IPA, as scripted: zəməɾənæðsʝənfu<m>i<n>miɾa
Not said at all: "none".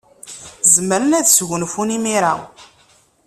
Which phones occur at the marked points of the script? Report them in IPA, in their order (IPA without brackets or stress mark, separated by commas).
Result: n, none